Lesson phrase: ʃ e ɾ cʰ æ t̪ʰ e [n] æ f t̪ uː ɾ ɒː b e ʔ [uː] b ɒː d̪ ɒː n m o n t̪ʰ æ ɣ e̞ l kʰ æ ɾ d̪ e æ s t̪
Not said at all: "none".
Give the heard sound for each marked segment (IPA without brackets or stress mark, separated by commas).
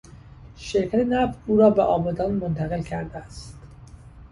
n, ɒː